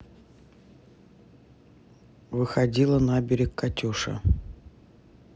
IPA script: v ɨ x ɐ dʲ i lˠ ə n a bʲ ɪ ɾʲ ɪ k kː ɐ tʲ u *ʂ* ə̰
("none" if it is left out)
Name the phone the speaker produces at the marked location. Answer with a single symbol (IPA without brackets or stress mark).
ʂ